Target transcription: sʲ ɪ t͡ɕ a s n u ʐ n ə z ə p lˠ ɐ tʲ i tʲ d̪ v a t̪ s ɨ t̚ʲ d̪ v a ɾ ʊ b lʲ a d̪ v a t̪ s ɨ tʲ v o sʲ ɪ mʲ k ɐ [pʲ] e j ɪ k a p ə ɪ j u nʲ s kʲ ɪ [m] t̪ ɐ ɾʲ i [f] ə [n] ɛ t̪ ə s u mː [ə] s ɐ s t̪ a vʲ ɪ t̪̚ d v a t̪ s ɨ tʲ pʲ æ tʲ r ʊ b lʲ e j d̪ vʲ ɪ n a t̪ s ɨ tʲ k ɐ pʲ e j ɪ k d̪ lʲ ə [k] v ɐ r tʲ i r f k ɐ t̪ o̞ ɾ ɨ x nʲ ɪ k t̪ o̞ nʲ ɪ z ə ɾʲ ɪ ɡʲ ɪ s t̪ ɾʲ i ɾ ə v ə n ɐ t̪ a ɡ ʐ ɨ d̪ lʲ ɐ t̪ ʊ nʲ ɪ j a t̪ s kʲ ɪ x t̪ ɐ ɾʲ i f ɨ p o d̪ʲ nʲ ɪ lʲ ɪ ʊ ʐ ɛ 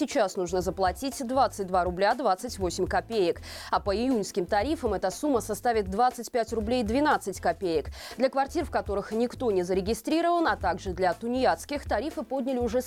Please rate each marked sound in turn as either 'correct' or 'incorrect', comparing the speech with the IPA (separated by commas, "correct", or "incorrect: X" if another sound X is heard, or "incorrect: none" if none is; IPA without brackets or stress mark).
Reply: correct, correct, correct, incorrect: m, correct, correct